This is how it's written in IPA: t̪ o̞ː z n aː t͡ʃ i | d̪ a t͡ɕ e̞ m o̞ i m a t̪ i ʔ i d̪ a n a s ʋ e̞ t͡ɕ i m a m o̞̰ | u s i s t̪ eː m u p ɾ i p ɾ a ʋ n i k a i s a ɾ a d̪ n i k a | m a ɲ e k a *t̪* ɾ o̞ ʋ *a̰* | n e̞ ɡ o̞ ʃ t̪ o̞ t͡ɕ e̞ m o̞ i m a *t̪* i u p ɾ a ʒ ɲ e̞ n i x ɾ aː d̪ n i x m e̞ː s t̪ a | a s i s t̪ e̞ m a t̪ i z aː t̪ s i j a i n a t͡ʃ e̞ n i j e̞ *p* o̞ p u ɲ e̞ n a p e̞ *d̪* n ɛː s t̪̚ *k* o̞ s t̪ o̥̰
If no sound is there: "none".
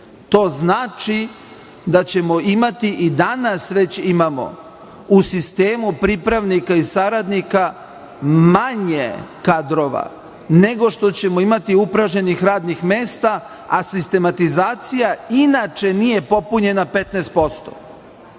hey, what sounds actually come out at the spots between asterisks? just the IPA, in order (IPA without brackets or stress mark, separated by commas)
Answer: d̪, a̰, t̪, p, t̪, p